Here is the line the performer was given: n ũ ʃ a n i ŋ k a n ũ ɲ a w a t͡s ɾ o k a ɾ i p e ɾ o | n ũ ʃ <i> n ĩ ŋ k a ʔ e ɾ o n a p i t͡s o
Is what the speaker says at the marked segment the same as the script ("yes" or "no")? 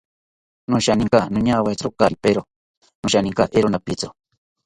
no